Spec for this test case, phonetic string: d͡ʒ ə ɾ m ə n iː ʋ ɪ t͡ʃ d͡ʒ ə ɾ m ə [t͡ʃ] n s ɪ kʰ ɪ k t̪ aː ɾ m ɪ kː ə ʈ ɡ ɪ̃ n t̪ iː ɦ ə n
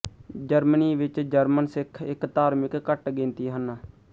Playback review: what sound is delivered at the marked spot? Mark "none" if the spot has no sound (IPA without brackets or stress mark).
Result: none